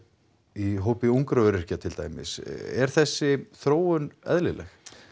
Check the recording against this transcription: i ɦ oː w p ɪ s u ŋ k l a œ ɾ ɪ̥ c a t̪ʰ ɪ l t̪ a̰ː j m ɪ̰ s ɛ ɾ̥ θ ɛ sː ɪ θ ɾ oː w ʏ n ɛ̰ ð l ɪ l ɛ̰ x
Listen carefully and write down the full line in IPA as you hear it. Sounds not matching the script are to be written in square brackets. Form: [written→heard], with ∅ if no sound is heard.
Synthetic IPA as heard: i ɦ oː w p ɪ [s→∅] u ŋ k [l→ɾ] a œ ɾ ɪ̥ c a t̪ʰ ɪ l t̪ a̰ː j m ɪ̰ s ɛ ɾ̥ θ ɛ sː ɪ θ ɾ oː w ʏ n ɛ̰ ð l ɪ l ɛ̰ x